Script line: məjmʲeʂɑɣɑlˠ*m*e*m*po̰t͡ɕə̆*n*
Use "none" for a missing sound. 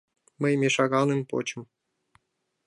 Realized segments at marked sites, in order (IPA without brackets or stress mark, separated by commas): n, m, m